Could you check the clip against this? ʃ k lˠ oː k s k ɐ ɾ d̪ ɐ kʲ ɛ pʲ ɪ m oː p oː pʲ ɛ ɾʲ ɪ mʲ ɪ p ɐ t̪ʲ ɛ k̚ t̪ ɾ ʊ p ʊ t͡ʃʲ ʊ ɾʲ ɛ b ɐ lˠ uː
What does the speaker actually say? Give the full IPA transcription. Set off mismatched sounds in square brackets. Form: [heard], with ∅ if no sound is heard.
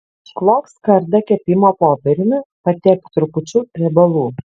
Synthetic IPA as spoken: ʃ k lˠ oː k s k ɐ ɾ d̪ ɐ kʲ ɛ pʲ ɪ m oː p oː pʲ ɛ ɾʲ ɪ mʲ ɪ p ɐ t̪ʲ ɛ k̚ t̪ ɾ ʊ p ʊ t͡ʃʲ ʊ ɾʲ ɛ b ɐ lˠ uː

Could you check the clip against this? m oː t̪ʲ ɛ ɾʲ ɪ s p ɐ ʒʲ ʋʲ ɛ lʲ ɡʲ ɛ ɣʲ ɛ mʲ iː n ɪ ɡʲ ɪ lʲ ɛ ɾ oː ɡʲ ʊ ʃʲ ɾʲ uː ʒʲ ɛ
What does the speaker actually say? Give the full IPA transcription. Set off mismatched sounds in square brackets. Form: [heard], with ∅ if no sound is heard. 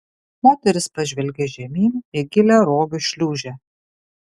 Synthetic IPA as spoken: m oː t̪ʲ ɛ ɾʲ ɪ s p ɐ ʒʲ ʋʲ ɛ lʲ ɡʲ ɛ [ʒʲ] ɛ mʲ iː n ɪ ɡʲ ɪ lʲ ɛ ɾ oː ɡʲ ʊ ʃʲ [lʲ] uː ʒʲ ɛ

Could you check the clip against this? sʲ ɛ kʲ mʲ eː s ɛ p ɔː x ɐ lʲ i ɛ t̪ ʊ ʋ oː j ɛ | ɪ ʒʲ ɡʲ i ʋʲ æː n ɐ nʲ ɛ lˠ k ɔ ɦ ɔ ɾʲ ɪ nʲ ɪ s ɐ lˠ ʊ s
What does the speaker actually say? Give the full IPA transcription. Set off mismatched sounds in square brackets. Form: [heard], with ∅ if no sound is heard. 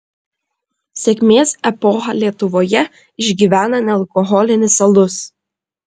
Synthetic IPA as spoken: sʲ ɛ kʲ mʲ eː s ɛ p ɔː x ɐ lʲ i ɛ t̪ ʊ ʋ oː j ɛ | ɪ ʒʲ ɡʲ i ʋʲ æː n ɐ nʲ ɛ lˠ k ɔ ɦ ɔ [lʲ] ɪ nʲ ɪ s ɐ lˠ ʊ s

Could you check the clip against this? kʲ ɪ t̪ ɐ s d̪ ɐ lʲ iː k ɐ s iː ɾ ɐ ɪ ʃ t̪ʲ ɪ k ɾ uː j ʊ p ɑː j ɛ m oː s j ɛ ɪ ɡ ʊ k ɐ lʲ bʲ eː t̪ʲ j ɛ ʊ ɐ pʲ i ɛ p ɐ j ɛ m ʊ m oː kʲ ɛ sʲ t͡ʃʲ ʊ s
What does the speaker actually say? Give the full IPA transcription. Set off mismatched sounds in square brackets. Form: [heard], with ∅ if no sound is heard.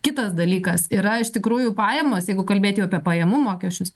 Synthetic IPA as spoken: kʲ ɪ t̪ ɐ s d̪ ɐ lʲ iː k ɐ s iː ɾ ɐ ɪ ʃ t̪ʲ ɪ k ɾ uː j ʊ p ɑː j ɛ m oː s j ɛ ɪ ɡ ʊ k ɐ lʲ bʲ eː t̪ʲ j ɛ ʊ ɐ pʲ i ɛ p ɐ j ɛ m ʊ m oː kʲ ɛ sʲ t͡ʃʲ ʊ s

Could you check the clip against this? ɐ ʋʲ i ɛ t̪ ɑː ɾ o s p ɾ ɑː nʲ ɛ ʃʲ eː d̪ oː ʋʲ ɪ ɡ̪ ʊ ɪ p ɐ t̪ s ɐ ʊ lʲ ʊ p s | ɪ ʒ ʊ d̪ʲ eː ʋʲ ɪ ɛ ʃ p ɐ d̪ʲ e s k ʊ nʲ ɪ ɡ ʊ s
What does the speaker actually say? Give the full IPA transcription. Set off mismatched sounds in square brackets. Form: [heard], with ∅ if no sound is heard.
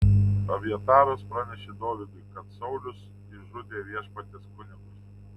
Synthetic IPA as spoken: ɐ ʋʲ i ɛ t̪ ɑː ɾ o s p ɾ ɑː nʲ ɛ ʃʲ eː d̪ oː ʋʲ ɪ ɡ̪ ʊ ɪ [k] ɐ t̪ s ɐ ʊ lʲ ʊ [∅] s | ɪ ʒ ʊ d̪ʲ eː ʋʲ [i] ɛ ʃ p ɐ [t̪ʲ] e s k ʊ nʲ ɪ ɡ ʊ s

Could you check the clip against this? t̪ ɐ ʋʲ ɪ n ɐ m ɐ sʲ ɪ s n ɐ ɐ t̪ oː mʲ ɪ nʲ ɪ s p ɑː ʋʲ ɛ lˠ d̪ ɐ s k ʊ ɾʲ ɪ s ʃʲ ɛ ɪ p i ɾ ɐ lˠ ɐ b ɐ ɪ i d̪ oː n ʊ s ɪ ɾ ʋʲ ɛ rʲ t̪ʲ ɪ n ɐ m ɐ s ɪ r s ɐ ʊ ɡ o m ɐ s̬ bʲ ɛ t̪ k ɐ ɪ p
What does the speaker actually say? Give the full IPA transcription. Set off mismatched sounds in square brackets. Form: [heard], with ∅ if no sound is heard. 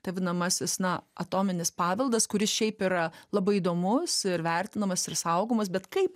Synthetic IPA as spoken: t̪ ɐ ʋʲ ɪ n ɐ m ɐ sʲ ɪ s n ɐ ɐ t̪ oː mʲ ɪ nʲ ɪ s p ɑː ʋʲ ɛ lˠ d̪ ɐ s k ʊ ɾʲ ɪ s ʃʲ ɛ ɪ p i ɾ ɐ lˠ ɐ b ɐ ɪ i d̪ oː [m] ʊ s ɪ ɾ ʋʲ ɛ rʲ t̪ʲ ɪ n ɐ m ɐ s ɪ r s ɐ ʊ ɡ o m ɐ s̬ bʲ ɛ t̪ k ɐ ɪ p

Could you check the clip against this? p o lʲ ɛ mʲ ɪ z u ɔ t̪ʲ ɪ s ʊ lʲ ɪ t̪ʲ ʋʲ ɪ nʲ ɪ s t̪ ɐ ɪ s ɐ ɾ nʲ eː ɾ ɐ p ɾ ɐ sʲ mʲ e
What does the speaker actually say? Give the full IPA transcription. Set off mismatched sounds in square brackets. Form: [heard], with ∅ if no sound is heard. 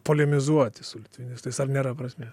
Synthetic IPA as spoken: p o lʲ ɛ mʲ ɪ z u ɔ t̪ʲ ɪ s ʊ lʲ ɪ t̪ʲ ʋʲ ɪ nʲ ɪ s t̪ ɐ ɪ s ɐ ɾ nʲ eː ɾ ɐ p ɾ ɐ sʲ mʲ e

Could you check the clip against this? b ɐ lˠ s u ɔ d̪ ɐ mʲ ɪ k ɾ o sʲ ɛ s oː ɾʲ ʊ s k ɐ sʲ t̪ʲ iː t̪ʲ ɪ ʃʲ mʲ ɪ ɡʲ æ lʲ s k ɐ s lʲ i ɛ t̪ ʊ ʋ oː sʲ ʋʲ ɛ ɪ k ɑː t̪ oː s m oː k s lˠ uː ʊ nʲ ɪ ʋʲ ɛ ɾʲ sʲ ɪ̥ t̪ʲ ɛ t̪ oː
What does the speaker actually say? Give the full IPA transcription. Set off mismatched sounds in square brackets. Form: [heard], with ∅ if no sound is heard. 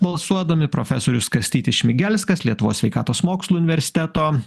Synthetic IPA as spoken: b ɐ lˠ s u ɔ d̪ ɐ mʲ ɪ [p] ɾ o [fʲ] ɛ s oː ɾʲ ʊ s k ɐ sʲ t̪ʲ iː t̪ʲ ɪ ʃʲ mʲ ɪ ɡʲ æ lʲ s k ɐ s lʲ i ɛ t̪ ʊ ʋ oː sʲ ʋʲ ɛ ɪ k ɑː t̪ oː s m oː k s lˠ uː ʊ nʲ ɪ ʋʲ ɛ ɾʲ sʲ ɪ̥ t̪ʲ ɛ t̪ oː

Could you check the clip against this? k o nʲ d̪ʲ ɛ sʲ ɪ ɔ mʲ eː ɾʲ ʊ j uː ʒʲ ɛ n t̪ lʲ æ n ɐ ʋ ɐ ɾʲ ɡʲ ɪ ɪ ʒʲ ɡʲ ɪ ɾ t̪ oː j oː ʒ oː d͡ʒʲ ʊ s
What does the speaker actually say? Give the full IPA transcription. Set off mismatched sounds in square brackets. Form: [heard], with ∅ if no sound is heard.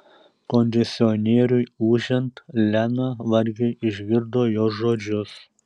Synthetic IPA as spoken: k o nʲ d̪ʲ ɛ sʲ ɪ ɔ [nʲ] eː ɾʲ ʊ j uː ʒʲ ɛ n t̪ lʲ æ n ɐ ʋ ɐ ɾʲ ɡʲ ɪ ɪ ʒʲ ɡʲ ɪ ɾ [d̪] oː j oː ʒ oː d͡ʒʲ ʊ s

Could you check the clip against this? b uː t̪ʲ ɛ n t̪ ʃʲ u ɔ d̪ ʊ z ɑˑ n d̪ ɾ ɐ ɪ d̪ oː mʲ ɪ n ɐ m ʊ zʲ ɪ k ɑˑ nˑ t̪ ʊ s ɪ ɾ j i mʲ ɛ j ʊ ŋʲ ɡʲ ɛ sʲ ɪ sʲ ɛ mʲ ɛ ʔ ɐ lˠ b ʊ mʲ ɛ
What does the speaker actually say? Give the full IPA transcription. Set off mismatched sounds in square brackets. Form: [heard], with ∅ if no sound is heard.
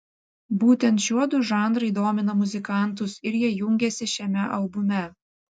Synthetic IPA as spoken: b uː t̪ʲ ɛ n t̪ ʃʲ u ɔ d̪ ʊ [ʒ] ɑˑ n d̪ ɾ ɐ ɪ d̪ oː mʲ ɪ n ɐ m ʊ zʲ ɪ k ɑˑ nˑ t̪ ʊ s ɪ ɾ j i [∅] ɛ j ʊ ŋʲ ɡʲ ɛ sʲ ɪ [ʃʲ] ɛ mʲ ɛ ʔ ɐ lˠ b ʊ mʲ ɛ

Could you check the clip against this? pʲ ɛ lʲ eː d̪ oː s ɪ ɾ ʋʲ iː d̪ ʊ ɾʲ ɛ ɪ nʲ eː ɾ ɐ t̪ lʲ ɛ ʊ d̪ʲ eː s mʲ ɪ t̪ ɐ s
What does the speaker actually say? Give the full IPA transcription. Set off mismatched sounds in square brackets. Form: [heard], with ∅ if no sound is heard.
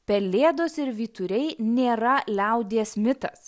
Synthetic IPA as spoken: pʲ ɛ lʲ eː d̪ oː s ɪ ɾ ʋʲ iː [t̪] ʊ ɾʲ ɛ ɪ nʲ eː ɾ ɐ [∅] lʲ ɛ ʊ d̪ʲ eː s mʲ ɪ t̪ ɐ s

